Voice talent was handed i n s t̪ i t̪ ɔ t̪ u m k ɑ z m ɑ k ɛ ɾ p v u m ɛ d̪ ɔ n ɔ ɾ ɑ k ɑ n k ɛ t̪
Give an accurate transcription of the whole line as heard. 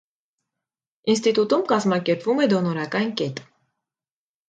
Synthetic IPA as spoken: i n s t̪ i t̪ u t̪ u m k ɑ z m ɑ k ɛ ɾ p v u m ɛ d̪ ɔ n ɔ ɾ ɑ k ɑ n k ɛ t̪